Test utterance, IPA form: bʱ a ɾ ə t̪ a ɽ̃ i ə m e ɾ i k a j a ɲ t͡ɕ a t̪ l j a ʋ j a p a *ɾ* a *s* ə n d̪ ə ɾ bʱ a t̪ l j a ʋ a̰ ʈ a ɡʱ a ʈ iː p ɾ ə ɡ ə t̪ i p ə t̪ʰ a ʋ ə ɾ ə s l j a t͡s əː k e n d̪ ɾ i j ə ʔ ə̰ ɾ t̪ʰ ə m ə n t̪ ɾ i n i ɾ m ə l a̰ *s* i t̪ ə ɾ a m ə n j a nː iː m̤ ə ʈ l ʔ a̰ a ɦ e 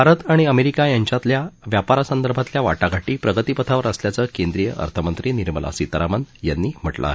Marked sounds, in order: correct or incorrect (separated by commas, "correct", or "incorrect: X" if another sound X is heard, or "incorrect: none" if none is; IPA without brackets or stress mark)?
correct, correct, correct